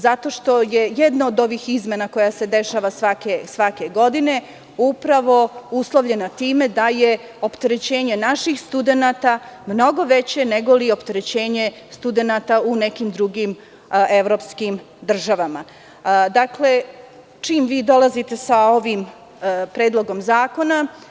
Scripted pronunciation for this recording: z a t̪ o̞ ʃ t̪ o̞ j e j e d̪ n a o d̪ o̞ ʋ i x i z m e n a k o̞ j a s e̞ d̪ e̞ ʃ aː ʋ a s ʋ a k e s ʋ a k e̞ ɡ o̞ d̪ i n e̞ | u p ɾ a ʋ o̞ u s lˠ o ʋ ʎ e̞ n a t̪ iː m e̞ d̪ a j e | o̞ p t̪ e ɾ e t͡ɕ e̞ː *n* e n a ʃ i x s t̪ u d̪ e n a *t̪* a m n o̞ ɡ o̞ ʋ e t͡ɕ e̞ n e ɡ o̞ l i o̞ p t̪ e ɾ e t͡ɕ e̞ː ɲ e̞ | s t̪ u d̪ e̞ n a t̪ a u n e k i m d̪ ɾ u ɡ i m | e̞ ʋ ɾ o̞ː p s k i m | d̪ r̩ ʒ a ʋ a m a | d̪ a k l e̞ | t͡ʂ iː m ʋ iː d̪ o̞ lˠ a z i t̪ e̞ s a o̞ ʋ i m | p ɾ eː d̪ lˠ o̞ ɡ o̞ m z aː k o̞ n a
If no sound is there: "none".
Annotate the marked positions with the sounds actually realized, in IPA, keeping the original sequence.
ɲ, t̪

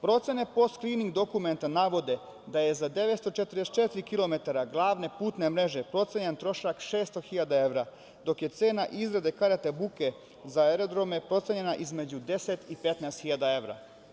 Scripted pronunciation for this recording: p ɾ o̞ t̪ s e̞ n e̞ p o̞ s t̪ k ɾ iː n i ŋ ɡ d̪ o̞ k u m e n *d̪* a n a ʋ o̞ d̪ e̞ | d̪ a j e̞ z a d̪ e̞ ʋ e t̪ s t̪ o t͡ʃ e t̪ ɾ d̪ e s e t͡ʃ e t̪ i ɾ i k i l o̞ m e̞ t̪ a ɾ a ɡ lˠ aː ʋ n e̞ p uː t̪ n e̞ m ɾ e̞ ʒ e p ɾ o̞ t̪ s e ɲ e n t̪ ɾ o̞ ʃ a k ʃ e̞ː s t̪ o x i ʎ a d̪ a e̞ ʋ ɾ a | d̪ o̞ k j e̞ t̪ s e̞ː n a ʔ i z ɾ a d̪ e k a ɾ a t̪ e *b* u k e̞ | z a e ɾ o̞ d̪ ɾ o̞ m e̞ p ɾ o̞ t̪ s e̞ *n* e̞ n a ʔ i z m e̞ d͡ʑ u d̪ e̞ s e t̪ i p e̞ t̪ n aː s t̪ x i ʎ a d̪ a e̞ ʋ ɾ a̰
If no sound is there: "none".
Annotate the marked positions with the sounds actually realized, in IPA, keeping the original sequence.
t̪, b, ɲ

